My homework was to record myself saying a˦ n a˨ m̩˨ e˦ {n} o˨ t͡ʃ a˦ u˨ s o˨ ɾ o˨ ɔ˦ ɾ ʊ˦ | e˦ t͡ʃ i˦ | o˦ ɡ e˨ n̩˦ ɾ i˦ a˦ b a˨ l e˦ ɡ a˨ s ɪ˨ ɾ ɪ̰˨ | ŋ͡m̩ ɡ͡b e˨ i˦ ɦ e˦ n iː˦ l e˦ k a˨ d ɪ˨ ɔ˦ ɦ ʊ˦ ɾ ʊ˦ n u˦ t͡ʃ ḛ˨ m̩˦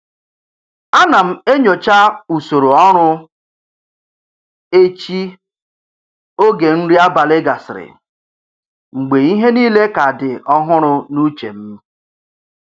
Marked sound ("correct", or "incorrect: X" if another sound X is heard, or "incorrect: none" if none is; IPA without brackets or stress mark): incorrect: ɲ